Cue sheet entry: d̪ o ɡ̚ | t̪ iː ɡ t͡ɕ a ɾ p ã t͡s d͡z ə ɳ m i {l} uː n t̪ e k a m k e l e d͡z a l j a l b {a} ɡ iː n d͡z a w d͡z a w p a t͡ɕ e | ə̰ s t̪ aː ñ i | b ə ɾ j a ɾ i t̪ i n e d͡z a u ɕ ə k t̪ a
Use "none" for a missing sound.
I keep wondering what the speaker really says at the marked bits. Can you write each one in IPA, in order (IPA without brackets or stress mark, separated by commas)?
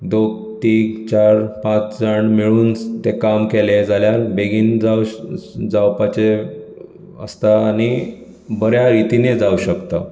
ɭ, e